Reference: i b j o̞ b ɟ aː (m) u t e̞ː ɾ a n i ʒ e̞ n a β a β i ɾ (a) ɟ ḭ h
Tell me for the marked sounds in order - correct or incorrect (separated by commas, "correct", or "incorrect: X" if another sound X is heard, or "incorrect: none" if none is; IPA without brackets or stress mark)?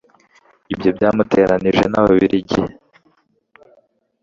correct, incorrect: i